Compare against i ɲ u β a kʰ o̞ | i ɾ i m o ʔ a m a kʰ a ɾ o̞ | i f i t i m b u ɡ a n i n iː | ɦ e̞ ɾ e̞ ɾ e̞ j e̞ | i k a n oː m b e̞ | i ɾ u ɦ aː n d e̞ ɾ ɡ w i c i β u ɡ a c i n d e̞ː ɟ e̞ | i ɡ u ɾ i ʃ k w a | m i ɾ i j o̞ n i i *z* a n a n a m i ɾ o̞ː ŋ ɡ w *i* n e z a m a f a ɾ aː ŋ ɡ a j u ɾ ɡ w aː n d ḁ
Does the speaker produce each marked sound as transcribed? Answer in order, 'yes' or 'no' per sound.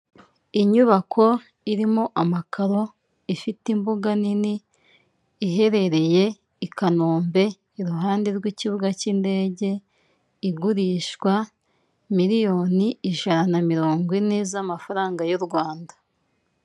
no, yes

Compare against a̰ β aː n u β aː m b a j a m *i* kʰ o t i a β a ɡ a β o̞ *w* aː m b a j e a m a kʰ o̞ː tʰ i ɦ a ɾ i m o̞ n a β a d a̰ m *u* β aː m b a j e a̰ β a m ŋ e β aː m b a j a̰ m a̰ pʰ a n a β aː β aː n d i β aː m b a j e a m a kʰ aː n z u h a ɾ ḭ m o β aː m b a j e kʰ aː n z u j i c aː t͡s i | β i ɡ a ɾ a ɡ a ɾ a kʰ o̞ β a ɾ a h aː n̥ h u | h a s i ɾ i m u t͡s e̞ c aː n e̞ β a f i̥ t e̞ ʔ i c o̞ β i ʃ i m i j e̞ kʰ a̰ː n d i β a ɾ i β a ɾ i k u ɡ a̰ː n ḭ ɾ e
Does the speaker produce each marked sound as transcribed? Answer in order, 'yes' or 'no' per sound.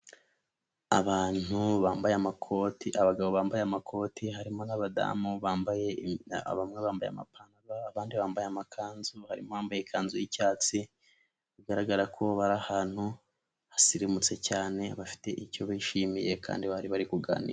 no, no, yes

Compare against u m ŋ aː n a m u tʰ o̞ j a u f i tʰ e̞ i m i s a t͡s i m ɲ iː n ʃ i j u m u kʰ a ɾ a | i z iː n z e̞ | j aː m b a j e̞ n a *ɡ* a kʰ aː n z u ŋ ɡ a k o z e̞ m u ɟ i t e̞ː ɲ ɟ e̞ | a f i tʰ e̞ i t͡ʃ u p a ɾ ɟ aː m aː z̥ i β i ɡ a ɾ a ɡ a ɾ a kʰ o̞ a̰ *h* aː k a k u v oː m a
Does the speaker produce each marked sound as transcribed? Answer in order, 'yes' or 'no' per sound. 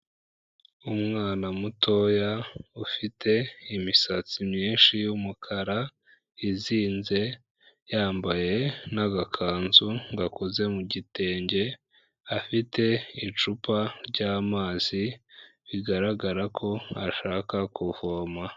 yes, no

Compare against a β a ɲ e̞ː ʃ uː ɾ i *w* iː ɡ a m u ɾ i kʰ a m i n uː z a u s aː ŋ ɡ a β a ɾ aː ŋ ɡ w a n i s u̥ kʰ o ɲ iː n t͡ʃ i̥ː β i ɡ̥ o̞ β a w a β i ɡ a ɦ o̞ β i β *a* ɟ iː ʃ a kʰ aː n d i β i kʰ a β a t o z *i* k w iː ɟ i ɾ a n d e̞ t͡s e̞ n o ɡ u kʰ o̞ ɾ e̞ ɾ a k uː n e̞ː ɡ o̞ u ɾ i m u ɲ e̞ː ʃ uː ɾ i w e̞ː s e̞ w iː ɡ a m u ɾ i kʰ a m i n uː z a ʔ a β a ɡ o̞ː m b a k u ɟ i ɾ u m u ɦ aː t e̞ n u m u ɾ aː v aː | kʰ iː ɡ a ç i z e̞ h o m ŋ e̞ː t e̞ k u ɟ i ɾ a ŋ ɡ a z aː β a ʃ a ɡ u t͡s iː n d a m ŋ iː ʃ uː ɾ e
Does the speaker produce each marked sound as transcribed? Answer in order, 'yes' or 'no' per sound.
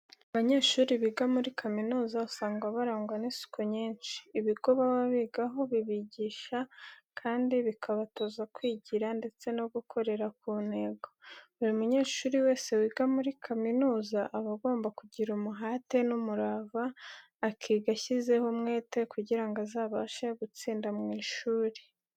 no, no, no

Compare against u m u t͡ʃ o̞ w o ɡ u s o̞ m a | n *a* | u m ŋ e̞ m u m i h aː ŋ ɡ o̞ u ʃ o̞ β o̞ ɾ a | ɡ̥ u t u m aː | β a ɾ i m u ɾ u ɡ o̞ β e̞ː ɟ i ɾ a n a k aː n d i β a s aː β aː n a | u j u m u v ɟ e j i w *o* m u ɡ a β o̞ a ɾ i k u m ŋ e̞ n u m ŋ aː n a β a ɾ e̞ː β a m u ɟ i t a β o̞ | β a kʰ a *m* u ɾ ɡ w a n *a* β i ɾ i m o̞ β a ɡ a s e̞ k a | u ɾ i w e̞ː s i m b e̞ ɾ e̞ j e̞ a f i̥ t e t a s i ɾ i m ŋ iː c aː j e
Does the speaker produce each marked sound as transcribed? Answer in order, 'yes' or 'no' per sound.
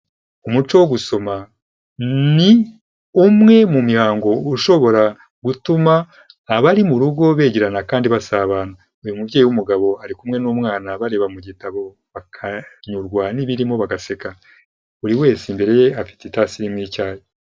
no, no, no, no

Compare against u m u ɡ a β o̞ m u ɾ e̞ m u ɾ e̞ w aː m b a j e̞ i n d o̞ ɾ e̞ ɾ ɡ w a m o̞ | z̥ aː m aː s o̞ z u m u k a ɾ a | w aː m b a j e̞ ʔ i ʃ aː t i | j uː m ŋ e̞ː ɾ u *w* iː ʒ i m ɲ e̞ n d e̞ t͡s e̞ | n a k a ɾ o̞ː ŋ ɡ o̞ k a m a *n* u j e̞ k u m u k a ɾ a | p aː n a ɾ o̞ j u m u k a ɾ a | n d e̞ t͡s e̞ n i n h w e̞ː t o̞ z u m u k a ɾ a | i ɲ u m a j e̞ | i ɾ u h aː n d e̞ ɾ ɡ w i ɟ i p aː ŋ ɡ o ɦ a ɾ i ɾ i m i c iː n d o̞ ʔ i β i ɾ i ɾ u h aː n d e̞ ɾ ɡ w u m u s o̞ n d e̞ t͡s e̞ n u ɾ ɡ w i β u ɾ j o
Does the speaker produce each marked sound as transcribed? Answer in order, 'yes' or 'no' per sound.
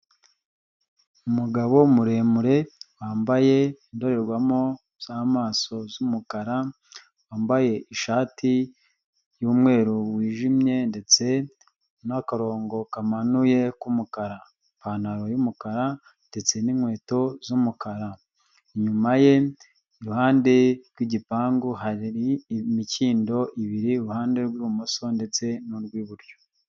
yes, yes

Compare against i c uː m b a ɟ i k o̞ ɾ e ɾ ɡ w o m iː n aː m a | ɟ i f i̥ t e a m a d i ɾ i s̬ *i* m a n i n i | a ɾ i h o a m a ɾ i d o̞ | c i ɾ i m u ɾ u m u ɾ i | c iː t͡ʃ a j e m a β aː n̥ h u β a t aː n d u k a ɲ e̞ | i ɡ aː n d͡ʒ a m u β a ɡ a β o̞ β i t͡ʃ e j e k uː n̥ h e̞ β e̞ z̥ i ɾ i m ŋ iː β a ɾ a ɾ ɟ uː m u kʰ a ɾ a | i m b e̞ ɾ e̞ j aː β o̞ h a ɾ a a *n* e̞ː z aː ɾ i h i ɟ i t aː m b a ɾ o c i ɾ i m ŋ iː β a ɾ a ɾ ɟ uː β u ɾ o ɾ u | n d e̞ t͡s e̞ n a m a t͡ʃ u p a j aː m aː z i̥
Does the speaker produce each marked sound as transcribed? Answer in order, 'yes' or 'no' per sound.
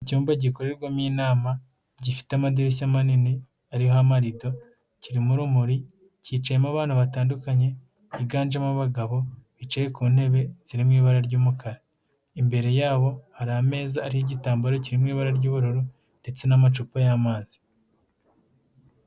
no, no

